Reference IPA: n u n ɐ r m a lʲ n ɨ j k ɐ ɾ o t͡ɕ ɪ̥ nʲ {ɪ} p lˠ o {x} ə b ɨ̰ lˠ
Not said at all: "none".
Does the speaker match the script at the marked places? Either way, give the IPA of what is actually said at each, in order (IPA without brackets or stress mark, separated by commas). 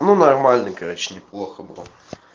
ɪ, x